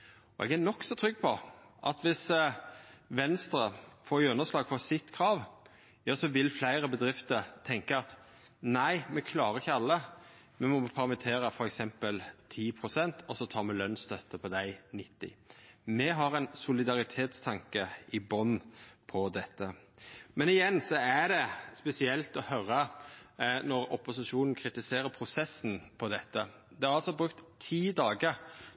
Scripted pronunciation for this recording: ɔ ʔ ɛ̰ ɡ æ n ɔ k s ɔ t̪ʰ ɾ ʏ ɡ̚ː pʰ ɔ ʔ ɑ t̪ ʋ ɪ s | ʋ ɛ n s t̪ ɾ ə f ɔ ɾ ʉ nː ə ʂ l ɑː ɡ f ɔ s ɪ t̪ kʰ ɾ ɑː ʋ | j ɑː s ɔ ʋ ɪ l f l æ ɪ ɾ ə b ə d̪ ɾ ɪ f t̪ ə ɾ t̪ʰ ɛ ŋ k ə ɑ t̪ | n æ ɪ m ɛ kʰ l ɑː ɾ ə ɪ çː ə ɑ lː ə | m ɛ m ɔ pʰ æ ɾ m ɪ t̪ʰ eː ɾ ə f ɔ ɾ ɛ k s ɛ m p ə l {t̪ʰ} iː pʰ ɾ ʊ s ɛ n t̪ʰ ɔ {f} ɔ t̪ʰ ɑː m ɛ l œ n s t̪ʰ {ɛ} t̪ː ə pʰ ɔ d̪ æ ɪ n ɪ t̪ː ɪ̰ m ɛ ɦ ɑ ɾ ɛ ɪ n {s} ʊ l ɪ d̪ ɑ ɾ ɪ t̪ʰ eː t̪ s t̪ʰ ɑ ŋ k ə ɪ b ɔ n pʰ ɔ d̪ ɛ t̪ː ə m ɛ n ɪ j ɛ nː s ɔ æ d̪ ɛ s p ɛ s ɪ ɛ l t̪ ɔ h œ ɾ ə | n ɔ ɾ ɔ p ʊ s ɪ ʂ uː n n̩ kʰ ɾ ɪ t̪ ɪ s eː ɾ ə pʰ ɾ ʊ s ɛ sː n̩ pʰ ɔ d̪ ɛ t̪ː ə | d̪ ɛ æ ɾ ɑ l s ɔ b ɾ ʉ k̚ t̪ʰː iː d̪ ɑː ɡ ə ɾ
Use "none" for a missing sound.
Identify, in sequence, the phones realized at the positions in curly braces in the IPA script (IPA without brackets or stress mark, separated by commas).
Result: t̪ʰ, s, œ, s